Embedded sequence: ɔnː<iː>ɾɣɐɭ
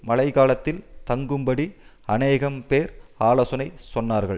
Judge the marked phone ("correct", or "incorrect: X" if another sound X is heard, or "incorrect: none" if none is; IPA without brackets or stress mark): incorrect: aː